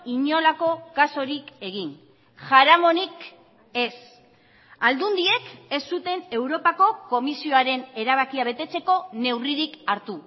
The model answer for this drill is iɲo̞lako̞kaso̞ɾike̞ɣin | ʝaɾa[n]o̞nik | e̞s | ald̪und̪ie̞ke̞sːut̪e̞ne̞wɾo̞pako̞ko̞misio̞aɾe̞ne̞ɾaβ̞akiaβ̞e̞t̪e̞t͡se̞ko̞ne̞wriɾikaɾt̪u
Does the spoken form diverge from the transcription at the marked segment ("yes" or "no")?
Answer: yes